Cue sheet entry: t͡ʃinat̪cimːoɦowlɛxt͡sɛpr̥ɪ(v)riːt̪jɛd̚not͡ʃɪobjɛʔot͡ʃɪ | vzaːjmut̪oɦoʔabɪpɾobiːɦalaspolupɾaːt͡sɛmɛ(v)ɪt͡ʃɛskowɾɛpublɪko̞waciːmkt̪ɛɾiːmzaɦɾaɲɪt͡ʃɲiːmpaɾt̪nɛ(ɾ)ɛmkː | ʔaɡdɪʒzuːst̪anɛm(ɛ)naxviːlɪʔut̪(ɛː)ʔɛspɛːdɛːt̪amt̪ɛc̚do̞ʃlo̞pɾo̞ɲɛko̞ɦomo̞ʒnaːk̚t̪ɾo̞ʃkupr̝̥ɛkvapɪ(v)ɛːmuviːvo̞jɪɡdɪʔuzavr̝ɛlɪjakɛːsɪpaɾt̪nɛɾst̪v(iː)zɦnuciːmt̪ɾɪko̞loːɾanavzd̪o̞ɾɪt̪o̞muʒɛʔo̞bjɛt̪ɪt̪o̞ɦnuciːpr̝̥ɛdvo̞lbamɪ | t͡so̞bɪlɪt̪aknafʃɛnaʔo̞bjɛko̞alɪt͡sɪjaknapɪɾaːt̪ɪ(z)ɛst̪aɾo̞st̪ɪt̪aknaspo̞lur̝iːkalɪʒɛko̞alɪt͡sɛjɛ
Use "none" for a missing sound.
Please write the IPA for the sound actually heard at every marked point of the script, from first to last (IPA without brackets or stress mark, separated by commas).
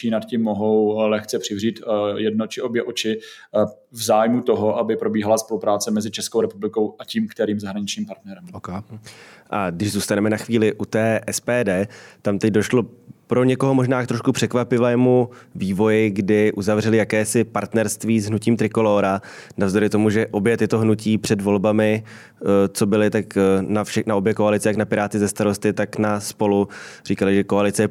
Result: v, z, ɾ, ɛ, ɛː, v, iː, z